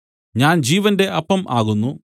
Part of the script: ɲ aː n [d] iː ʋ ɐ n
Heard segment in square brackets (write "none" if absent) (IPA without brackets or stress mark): d͡ʑ